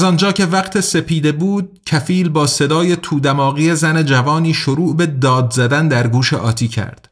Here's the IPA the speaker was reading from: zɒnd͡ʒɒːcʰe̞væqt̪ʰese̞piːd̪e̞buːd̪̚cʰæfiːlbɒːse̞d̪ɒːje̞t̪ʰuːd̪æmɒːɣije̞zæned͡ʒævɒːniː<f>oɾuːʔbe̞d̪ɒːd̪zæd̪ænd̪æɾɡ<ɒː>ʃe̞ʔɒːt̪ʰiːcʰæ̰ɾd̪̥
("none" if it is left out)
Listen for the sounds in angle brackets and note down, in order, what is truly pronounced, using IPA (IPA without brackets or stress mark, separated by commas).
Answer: ʃ, uː